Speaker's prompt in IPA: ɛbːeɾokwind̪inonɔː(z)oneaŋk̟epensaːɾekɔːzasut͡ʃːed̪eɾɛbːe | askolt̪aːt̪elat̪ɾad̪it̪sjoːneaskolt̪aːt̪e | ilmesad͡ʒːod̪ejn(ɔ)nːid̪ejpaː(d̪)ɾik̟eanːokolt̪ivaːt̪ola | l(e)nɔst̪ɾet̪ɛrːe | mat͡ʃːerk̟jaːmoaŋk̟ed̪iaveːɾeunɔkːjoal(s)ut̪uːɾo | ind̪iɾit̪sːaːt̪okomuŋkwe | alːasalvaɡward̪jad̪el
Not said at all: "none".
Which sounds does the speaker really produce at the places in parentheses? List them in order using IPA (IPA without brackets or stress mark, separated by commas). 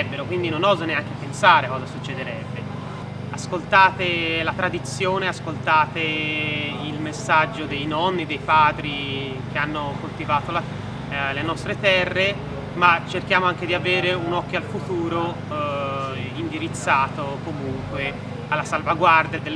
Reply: z, ɔ, d̪, e, f